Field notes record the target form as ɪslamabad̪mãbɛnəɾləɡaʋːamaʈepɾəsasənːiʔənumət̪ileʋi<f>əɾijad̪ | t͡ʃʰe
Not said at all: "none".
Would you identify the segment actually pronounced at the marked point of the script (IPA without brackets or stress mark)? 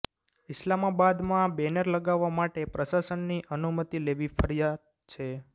f